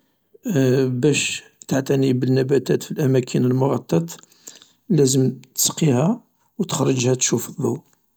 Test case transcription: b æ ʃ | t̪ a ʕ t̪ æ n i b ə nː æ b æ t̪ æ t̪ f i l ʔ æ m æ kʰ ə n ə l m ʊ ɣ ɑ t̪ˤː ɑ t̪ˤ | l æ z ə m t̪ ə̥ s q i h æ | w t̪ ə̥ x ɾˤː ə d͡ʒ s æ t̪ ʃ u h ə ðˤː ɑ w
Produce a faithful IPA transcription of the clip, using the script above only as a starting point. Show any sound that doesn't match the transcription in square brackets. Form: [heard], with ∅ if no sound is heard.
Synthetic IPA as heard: b æ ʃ | t̪ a ʕ t̪ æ n i b ə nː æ b æ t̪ æ t̪ f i l ʔ æ m æ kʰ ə n ə l m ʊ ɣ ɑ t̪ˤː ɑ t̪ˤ | l æ z ə m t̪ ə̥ s q i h æ | w t̪ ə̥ x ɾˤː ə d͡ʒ [h] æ t̪ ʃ u [f] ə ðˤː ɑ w